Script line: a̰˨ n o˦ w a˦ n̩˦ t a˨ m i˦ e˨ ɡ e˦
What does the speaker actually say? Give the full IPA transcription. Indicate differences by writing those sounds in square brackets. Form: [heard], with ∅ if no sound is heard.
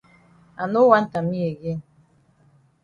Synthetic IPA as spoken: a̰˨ n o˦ w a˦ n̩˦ t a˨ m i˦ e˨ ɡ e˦